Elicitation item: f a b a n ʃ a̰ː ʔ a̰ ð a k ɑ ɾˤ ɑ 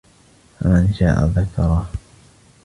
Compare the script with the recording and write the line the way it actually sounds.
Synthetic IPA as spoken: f a m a n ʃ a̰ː ʔ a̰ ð a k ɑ ɾˤ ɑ